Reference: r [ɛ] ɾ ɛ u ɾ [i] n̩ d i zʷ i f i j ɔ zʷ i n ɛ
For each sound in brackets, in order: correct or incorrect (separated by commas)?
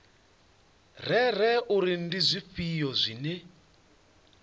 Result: correct, correct